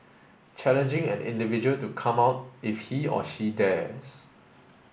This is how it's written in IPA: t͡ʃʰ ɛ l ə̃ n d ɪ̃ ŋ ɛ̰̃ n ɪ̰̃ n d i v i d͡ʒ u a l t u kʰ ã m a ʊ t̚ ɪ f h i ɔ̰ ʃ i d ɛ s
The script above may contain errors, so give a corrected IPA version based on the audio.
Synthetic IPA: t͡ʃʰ ɛ l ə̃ n d͡ʒ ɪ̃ ŋ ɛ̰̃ n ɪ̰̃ n d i v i d͡ʒ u ə l t u kʰ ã m a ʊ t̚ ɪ f h i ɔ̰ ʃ i d ɛ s